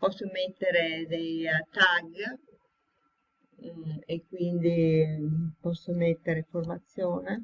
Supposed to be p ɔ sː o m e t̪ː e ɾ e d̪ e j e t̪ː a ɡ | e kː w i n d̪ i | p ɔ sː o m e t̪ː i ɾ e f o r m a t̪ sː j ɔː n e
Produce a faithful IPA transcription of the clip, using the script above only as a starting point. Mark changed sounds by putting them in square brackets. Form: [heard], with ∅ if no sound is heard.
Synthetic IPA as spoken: p ɔ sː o m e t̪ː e ɾ e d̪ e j [a] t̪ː a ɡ | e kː w i n d̪ i | p ɔ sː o m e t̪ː [e] ɾ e f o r m a t̪ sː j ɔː n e